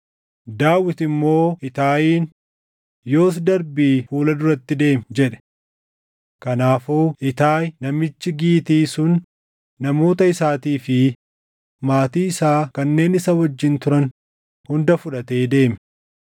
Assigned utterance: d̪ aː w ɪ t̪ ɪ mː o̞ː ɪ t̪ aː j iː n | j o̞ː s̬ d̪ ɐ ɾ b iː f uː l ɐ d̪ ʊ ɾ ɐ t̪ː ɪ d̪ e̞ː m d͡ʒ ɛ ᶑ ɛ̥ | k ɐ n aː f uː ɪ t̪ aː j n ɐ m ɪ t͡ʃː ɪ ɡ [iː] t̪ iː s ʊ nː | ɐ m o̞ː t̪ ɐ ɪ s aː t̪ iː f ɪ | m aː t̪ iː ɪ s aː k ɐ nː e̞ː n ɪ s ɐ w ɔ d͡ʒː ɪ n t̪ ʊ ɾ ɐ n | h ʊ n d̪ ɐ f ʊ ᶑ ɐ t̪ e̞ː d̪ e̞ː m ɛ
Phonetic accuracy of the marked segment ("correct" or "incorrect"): correct